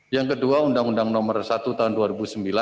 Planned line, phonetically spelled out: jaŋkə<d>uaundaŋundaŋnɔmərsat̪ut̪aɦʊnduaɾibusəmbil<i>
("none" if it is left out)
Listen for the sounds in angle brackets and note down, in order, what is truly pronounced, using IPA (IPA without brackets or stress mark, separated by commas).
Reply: d, a